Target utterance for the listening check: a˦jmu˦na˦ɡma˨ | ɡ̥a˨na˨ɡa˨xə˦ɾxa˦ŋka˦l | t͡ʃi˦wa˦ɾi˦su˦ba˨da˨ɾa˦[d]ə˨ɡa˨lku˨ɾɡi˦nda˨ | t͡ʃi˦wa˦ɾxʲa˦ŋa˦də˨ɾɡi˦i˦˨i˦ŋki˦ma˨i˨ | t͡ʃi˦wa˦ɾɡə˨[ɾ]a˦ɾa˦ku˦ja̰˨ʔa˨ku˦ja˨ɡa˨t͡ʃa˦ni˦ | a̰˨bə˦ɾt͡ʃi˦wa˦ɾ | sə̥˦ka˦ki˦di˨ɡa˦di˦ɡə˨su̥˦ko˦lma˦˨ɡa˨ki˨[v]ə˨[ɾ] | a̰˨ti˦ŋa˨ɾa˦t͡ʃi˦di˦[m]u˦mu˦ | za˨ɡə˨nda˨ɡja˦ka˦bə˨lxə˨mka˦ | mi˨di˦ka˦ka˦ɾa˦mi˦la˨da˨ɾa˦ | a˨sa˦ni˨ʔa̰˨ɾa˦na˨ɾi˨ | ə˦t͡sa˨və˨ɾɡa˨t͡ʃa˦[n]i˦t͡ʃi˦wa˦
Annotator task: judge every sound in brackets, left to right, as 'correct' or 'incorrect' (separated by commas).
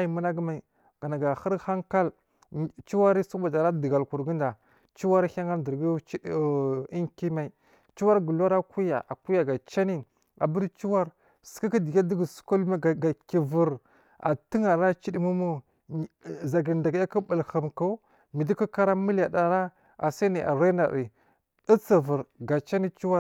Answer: correct, incorrect, correct, correct, correct, correct